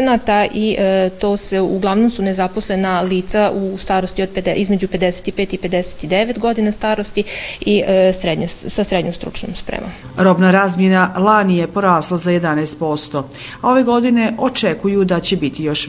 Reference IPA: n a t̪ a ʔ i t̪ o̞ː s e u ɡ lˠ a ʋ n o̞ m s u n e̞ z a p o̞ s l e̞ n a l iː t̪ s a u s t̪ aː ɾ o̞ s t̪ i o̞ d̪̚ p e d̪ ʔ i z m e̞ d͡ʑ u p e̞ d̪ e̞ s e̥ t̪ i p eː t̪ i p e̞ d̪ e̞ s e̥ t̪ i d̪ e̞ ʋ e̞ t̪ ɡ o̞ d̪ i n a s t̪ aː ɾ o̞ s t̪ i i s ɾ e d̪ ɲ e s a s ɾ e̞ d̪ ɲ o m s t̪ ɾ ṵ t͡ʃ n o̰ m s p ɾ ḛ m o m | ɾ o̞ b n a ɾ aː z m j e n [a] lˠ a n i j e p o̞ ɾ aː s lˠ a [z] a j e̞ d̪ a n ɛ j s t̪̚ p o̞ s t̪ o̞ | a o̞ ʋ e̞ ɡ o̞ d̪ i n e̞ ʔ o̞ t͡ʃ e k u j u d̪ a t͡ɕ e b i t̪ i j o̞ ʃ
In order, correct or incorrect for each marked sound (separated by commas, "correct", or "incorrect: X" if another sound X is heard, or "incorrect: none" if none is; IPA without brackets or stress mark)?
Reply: correct, correct